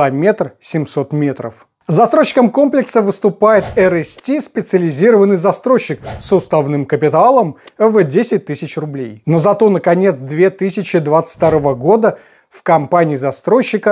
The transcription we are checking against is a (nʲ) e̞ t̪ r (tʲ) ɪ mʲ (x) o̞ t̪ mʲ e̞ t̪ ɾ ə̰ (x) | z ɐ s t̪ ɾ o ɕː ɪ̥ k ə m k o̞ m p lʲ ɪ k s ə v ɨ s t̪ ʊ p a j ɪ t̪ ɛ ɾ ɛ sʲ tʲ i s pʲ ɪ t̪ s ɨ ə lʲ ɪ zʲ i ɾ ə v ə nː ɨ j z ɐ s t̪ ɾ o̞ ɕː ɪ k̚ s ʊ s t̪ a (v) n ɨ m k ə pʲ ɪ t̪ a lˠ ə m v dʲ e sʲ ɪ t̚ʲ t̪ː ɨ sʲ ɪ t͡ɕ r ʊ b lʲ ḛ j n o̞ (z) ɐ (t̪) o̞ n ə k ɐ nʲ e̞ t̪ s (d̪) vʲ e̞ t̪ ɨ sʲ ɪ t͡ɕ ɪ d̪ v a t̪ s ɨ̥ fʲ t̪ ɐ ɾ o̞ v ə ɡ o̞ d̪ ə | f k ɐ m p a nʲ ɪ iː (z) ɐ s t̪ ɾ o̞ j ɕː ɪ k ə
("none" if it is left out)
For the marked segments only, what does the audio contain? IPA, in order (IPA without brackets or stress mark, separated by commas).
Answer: mʲ, sʲ, s, f, v, z, t̪, d̪, z